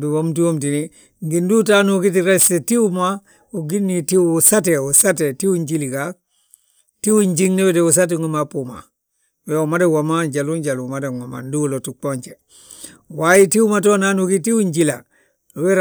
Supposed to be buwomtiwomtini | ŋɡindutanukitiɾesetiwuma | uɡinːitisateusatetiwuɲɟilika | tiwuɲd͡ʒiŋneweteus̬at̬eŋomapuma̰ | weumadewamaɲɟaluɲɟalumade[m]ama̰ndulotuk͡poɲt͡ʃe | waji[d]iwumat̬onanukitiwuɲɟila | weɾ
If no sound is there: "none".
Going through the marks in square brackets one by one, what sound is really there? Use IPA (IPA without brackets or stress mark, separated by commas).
ŋ, t